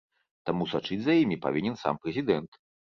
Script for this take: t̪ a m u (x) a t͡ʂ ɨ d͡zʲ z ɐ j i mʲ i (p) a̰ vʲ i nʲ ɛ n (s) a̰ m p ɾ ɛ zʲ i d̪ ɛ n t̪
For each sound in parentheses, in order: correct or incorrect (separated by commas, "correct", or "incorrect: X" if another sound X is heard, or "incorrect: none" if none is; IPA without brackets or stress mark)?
incorrect: s, correct, correct